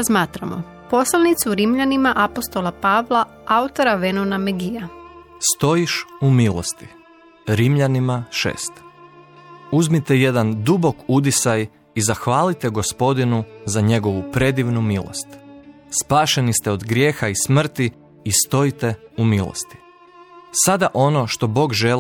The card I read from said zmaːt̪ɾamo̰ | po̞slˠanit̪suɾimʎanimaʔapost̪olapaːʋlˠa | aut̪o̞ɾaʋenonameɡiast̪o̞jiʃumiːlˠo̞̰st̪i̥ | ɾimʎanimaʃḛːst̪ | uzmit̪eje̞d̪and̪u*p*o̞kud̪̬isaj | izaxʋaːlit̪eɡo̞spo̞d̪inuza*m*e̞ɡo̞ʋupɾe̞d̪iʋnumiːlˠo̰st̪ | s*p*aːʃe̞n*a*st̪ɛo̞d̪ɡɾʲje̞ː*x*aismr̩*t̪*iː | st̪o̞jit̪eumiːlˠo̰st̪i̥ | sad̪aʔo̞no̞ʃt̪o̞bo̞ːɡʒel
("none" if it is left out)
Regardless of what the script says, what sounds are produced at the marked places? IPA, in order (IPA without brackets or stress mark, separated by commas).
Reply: b, ɲ, p, i, x, t̪